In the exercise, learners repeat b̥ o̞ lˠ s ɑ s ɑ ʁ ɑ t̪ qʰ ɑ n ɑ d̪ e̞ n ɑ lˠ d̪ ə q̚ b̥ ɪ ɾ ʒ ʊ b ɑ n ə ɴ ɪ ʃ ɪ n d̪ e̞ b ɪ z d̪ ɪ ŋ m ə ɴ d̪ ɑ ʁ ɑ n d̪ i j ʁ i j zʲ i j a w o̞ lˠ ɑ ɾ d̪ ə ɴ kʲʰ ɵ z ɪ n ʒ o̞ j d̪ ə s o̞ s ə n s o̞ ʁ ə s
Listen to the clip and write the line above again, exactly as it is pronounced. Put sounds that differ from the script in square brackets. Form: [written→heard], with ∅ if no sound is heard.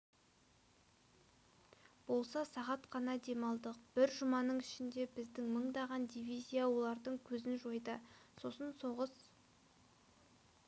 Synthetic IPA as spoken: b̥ o̞ lˠ s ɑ s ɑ ʁ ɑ t̪ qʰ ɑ n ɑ d̪ e̞ [n→m] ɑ lˠ d̪ ə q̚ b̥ ɪ ɾ ʒ ʊ [b→m] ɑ n ə ɴ ɪ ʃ ɪ n d̪ e̞ b ɪ z d̪ ɪ ŋ m ə ɴ d̪ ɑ ʁ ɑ n d̪ i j [ʁ→v] i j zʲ i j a w o̞ lˠ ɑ ɾ d̪ ə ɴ kʲʰ ɵ z ɪ n ʒ o̞ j d̪ ə s o̞ s ə n s o̞ ʁ ə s